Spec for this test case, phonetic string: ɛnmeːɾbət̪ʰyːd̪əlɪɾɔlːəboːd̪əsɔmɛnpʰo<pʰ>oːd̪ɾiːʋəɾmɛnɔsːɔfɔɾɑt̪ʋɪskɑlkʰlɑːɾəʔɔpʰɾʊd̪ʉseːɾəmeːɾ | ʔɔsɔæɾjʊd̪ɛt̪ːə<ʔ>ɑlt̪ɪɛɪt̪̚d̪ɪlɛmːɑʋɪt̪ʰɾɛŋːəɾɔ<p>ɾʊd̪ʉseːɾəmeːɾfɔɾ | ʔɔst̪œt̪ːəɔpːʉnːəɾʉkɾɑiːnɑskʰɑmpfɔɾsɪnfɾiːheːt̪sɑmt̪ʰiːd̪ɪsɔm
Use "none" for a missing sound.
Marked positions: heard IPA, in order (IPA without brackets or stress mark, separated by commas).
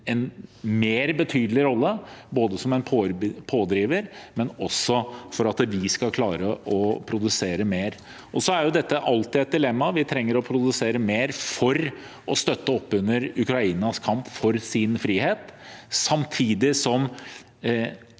pʰ, ʔ, pʰ